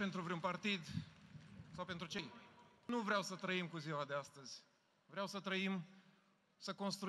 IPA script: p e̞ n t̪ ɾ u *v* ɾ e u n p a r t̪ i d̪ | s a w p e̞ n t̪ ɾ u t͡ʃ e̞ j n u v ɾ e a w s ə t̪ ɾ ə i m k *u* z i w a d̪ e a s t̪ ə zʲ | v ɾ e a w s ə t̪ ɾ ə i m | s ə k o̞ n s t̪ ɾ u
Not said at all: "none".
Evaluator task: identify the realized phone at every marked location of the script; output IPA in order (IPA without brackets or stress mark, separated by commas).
v, u